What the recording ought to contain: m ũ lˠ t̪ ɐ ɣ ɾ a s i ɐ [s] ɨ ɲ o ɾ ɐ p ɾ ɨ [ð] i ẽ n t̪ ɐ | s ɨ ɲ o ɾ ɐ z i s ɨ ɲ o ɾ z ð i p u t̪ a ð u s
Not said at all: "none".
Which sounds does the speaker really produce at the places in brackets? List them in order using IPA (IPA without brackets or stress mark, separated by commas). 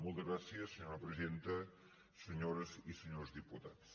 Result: s, z